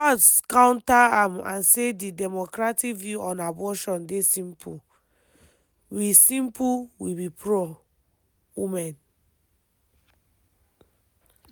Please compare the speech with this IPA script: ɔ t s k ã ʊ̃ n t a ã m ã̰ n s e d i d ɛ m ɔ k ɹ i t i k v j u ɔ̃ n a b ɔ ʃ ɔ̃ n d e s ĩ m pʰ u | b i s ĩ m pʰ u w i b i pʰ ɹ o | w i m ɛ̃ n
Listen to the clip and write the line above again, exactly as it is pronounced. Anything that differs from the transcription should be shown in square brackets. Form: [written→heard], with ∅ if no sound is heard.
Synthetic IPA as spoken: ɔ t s k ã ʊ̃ n t a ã m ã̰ n s e d i d ɛ m ɔ k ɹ [i→a] t i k v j u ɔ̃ n a b ɔ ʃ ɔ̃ n d e s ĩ m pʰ u | [b→w] i s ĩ m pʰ u w i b i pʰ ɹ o | w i m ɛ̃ n